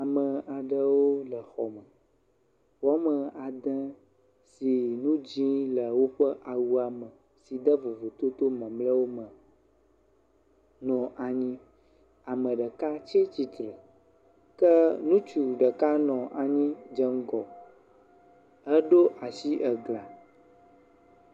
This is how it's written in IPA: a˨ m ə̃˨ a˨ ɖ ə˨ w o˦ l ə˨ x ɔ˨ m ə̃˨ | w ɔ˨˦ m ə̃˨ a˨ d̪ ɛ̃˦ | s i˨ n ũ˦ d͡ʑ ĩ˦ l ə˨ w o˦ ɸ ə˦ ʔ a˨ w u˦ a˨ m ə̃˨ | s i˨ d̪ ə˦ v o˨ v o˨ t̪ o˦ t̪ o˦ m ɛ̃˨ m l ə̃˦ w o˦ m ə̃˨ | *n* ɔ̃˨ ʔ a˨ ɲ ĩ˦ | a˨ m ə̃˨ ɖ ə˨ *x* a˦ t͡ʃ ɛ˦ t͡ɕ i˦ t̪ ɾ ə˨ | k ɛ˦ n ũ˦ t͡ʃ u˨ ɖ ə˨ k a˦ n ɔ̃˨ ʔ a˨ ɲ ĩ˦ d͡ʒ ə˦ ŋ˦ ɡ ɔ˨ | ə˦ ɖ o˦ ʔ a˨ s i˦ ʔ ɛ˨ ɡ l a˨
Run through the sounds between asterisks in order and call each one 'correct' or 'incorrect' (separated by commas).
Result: correct, incorrect